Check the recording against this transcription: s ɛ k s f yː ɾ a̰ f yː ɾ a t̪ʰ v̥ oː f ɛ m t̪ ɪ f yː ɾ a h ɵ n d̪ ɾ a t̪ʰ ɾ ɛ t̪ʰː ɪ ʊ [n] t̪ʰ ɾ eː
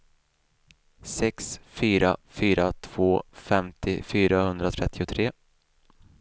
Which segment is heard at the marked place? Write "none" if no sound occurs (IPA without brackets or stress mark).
none